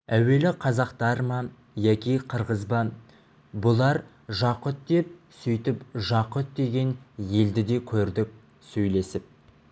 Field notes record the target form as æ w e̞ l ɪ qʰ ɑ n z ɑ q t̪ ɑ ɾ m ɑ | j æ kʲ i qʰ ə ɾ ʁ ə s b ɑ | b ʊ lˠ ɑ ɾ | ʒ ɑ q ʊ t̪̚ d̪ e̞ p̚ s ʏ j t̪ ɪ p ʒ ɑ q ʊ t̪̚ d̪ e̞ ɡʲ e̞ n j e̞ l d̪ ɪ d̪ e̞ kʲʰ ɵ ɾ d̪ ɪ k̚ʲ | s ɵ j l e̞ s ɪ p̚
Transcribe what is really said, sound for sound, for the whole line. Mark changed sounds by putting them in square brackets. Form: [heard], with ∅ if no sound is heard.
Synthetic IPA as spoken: æ w e̞ l ɪ qʰ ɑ [∅] z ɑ q t̪ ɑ ɾ m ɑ | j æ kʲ i qʰ ə ɾ ʁ ə [z] b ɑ | b ʊ lˠ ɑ ɾ | ʒ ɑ q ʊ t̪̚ d̪ e̞ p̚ s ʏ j t̪ ɪ p ʒ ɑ q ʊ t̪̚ d̪ e̞ ɡʲ e̞ n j e̞ l d̪ ɪ d̪ e̞ kʲʰ ɵ ɾ d̪ ɪ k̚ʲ | s ɵ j l e̞ s ɪ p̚